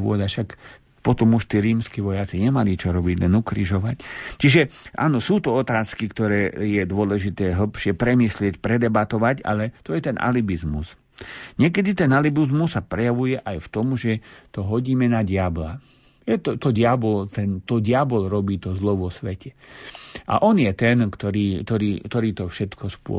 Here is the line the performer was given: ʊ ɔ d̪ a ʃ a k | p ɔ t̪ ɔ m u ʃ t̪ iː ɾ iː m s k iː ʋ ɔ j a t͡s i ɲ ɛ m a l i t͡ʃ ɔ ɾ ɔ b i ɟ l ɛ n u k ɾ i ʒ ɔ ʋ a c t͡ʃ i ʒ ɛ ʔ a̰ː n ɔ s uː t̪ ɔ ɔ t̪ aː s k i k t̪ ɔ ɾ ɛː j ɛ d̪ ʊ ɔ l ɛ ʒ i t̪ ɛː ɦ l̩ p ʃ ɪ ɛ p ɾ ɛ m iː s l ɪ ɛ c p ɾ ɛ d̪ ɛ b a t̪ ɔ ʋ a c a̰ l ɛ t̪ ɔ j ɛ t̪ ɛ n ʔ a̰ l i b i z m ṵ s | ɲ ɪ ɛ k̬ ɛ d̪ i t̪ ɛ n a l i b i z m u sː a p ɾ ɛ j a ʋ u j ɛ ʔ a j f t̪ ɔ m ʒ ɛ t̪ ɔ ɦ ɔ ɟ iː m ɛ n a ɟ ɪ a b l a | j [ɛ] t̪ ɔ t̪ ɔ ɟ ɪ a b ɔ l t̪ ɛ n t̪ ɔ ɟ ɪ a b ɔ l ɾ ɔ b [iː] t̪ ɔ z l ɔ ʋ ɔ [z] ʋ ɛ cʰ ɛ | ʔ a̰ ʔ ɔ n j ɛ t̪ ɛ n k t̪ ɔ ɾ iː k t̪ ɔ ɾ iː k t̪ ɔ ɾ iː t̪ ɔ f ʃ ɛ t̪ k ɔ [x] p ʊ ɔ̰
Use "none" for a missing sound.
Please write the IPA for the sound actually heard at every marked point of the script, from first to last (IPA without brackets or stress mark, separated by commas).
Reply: ɛ, iː, s, s